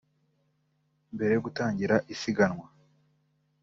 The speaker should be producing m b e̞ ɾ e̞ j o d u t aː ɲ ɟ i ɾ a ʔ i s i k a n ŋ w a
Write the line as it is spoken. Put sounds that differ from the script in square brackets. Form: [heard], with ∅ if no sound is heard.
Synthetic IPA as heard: m b e̞ ɾ e̞ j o [ɡ] u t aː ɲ ɟ i ɾ a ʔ i s i [ɡ] a n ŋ w a